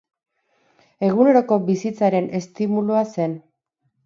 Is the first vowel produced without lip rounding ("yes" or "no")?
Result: yes